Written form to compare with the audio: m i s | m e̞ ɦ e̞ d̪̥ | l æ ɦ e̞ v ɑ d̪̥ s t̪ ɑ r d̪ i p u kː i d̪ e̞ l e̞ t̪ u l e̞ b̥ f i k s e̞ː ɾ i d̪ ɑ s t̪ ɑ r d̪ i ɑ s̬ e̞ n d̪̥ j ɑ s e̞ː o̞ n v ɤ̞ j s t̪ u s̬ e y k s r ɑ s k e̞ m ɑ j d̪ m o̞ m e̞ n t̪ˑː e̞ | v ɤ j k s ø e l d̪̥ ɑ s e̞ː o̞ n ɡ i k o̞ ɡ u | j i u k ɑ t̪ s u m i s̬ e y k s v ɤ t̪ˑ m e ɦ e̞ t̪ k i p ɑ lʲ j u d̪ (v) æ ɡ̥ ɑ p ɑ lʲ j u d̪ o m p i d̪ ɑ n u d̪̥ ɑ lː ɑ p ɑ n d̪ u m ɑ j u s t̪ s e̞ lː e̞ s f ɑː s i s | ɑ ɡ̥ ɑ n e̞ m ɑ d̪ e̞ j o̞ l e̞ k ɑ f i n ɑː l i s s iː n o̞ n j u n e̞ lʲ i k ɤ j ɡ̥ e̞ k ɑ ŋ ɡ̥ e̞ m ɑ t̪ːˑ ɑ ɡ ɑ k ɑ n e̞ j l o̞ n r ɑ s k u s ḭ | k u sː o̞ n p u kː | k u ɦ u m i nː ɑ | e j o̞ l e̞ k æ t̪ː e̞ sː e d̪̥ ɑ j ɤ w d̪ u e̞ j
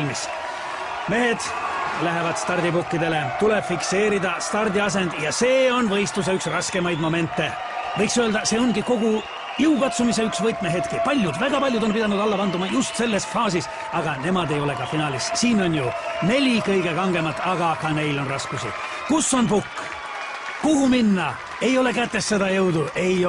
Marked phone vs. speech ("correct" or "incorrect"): correct